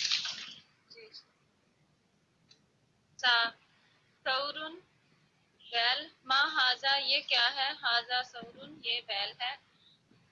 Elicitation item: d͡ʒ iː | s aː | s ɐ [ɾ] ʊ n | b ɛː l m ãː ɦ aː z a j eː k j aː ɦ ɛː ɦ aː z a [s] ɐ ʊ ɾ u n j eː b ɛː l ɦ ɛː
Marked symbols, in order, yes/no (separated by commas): yes, yes